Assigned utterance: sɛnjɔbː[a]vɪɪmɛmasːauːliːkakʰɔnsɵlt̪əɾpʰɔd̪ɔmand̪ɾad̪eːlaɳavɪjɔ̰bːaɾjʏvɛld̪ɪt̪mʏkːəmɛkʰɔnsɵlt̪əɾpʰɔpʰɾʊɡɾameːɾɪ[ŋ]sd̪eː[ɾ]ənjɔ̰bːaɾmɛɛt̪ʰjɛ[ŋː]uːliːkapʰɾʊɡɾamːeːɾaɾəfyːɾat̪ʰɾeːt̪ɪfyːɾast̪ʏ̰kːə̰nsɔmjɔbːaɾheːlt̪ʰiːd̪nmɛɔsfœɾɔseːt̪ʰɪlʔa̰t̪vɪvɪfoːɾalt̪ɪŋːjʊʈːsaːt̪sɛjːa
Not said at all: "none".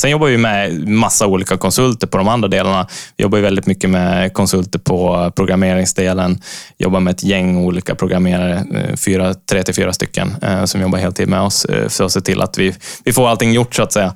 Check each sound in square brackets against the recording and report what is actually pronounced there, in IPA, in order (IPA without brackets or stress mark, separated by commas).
a, ŋ, l, ŋː